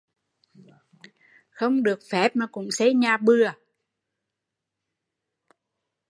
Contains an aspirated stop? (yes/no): no